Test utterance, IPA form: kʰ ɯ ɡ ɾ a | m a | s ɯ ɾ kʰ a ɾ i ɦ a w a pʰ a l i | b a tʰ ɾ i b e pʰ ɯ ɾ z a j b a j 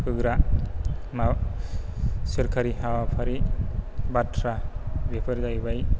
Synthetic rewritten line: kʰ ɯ ɡ ɾ a | m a | s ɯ ɾ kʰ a ɾ i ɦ a w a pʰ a ɾ i | b a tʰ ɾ a b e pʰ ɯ ɾ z a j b a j